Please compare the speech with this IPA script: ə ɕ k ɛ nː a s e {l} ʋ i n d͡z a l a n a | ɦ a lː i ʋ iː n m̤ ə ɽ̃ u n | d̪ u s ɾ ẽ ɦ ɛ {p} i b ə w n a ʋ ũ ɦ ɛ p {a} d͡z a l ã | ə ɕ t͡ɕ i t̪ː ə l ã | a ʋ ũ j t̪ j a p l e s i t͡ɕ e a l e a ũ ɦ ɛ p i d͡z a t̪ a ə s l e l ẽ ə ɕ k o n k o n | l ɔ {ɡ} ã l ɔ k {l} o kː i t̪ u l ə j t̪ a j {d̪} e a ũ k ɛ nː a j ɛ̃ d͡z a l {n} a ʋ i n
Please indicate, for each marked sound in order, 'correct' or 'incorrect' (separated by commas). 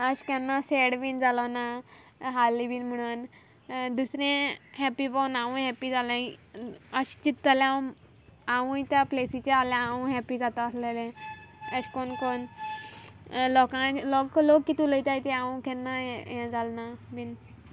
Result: incorrect, correct, incorrect, incorrect, correct, incorrect, correct